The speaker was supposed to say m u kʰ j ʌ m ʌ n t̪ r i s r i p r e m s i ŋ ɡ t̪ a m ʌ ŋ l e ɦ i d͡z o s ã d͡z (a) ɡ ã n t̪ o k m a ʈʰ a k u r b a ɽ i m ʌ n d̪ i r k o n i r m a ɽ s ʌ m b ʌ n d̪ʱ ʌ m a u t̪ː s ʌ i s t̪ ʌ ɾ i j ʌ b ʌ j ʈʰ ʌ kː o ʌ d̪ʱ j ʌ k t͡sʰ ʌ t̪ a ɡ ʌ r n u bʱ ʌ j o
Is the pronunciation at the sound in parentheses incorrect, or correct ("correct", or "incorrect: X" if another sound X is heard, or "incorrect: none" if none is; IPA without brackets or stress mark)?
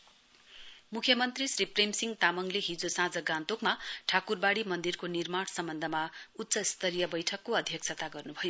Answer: incorrect: ʌ